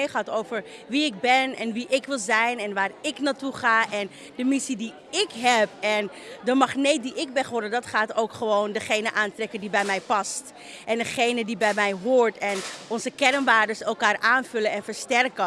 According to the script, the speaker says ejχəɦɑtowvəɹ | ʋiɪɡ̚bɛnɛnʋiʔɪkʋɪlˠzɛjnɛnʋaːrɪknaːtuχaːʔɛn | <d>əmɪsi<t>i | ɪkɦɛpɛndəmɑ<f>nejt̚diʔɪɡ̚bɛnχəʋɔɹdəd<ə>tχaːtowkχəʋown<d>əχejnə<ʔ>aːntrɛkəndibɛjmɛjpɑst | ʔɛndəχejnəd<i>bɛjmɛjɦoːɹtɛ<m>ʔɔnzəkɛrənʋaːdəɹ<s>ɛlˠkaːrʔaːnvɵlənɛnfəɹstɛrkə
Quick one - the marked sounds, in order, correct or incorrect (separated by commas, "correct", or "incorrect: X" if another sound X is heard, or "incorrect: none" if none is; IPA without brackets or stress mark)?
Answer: correct, incorrect: d, incorrect: χ, incorrect: ɑ, correct, correct, correct, incorrect: n, correct